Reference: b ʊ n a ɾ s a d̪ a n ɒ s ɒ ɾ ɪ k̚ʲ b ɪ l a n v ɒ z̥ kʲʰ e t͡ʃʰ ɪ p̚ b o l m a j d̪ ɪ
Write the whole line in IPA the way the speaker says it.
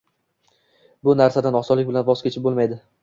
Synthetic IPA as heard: b ʊ n a ɾ s a d̪ a n ɒ s ɒ l ɪ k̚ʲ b ɪ l a n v ɒ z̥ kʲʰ e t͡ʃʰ ɪ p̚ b o l m a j d̪ ɪ